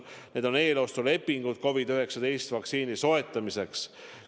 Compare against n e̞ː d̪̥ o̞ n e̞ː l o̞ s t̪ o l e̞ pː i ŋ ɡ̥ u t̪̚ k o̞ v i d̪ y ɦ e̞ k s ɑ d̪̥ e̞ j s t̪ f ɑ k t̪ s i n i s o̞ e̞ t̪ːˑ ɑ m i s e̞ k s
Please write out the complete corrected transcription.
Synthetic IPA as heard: n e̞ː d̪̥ o̞ n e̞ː l o̞ s t̪ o l e̞ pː i ŋ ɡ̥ u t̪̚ k o̞ v i d̪ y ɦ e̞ k s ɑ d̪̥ e̞ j s t̪ v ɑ k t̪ s iː n i s o̞ e̞ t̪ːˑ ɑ m i s e̞ k s